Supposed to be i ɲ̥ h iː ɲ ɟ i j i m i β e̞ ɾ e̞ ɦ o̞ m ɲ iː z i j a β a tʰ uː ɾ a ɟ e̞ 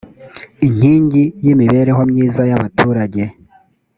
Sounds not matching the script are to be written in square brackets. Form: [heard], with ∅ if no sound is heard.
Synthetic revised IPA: i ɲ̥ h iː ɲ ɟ i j i m i β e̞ ɾ e̞ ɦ o̞ m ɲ iː z [a] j a β a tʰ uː ɾ a ɟ e̞